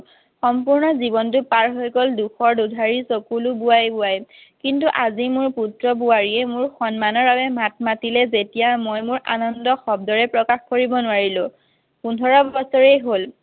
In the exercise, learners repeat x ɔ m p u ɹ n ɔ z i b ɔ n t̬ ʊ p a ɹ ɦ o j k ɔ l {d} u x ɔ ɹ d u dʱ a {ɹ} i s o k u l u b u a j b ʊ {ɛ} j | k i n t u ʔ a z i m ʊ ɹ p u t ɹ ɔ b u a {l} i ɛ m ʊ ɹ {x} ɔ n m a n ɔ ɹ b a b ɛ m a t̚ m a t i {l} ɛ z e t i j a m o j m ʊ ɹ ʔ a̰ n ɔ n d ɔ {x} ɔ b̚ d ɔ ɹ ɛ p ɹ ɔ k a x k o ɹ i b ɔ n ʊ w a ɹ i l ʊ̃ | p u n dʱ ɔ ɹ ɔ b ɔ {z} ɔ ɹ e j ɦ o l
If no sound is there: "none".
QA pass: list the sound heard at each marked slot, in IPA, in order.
d, ɹ, a, ɹ, x, l, x, s

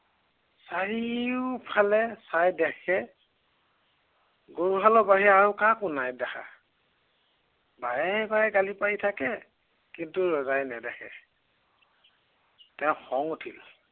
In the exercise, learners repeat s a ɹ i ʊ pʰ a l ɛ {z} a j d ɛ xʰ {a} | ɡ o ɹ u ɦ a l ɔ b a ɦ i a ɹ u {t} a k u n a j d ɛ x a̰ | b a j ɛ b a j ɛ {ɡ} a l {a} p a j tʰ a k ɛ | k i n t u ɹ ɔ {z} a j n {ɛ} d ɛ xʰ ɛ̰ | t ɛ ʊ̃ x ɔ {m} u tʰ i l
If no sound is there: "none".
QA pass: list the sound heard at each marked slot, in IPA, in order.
s, ɛ, k, ɡ, i, z, ɛ, ŋ

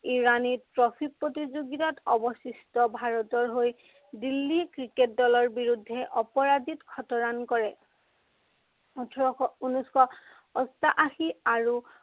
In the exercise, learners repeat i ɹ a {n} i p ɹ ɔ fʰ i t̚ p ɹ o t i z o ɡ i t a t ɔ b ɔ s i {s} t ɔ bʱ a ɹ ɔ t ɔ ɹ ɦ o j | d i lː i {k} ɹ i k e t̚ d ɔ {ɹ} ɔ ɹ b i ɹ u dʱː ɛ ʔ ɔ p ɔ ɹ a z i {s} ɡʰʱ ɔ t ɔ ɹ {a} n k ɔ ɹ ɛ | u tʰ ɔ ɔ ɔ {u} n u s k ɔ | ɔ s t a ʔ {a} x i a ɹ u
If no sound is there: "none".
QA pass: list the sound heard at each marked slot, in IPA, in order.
n, s, k, l, t, a, u, a

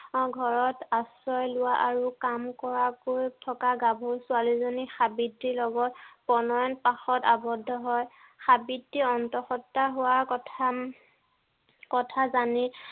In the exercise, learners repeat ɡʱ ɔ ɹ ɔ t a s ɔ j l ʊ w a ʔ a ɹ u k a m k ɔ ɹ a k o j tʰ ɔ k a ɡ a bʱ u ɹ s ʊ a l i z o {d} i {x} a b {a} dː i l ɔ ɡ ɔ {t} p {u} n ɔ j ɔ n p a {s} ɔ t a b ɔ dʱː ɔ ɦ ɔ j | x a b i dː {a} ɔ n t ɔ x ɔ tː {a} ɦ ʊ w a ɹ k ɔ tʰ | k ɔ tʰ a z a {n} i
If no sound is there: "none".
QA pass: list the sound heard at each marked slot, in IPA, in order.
n, x, i, t, ɔ, x, i, a, n

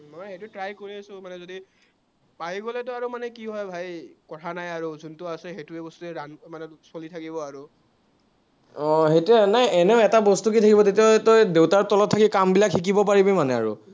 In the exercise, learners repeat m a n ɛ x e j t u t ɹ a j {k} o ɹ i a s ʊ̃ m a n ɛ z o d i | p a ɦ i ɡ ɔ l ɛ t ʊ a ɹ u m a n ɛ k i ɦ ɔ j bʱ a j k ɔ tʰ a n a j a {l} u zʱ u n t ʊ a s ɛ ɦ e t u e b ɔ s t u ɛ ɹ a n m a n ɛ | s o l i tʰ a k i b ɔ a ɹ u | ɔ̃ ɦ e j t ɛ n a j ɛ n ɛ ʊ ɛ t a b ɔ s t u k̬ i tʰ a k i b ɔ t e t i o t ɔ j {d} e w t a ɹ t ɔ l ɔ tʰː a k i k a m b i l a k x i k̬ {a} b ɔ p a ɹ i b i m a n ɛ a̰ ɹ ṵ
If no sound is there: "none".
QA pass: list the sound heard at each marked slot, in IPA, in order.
k, ɹ, d, i

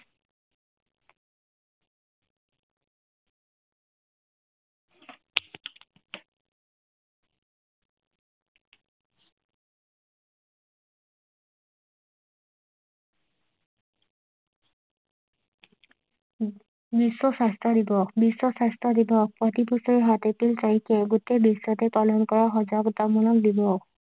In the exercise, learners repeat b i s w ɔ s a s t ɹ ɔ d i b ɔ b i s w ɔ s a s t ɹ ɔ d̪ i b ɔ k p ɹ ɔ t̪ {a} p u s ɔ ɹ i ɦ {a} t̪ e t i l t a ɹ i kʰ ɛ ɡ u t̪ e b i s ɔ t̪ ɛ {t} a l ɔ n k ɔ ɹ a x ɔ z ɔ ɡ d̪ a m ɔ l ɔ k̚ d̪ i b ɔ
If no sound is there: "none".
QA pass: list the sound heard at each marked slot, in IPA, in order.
i, a, p

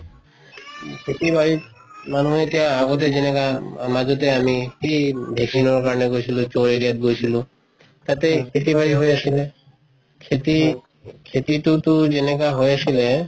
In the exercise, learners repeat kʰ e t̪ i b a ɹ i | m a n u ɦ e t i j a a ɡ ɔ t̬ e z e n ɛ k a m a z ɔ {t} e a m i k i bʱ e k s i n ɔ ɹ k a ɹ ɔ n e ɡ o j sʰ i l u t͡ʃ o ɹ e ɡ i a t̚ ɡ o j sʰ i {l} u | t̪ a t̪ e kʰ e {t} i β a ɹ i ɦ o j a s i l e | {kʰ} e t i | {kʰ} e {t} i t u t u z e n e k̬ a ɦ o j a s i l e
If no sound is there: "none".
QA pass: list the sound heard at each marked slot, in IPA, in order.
t, l, t, kʰ, kʰ, t

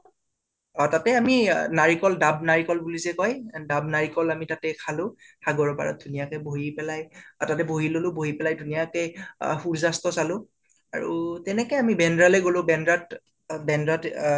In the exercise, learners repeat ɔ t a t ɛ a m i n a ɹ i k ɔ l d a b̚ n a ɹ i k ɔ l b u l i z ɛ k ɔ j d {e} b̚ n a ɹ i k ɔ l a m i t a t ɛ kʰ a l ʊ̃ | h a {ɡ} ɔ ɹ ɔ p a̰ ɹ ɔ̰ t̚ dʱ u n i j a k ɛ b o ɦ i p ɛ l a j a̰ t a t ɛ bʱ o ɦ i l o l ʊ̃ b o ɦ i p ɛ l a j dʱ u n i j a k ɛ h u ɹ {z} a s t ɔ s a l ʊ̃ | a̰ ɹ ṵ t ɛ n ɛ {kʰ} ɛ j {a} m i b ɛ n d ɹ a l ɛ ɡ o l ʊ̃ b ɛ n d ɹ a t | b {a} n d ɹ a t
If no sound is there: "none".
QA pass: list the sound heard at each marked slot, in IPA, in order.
a, ɡ, z, k, a, ɛ

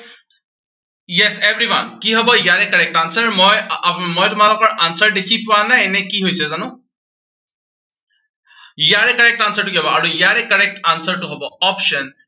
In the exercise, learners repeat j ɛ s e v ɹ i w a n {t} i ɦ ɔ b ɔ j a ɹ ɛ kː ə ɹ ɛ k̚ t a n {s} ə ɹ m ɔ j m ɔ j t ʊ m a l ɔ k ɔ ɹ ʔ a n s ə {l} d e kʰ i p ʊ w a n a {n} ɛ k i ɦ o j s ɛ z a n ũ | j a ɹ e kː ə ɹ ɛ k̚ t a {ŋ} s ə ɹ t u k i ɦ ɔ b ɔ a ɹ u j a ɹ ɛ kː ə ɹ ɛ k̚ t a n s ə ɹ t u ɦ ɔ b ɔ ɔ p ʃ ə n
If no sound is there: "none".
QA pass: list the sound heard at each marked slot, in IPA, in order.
k, s, ɹ, n, n

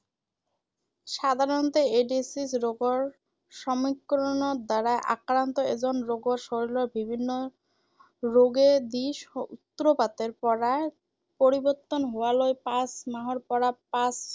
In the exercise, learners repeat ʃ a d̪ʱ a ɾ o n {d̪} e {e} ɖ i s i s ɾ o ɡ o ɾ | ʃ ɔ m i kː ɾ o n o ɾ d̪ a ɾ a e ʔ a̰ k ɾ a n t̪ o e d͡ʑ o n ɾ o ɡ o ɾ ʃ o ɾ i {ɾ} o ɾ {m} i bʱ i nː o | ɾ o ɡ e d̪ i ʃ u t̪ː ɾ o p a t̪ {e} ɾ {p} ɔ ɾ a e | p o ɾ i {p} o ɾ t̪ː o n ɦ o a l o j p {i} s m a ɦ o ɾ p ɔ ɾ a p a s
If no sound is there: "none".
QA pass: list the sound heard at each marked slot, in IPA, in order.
t̪, e, l, b, e, p, b, a

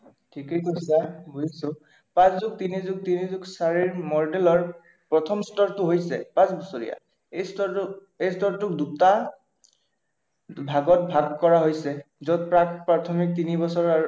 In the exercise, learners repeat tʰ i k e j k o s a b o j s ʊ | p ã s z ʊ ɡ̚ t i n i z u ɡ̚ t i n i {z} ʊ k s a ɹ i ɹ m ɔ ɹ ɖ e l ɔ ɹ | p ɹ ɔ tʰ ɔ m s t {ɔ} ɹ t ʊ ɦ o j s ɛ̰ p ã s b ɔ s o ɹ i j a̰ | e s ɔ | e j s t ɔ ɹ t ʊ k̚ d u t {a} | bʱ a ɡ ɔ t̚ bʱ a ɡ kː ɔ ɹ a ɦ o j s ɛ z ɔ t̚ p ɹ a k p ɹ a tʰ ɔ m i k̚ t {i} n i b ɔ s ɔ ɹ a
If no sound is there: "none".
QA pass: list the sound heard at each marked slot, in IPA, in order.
z, ɔ, a, i

